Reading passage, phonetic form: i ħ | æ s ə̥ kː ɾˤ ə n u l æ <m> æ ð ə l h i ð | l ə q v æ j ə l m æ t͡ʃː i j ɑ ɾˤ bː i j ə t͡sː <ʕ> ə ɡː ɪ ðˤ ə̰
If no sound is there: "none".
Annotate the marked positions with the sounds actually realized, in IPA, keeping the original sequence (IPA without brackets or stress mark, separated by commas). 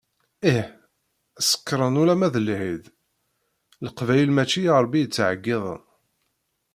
m, ʕ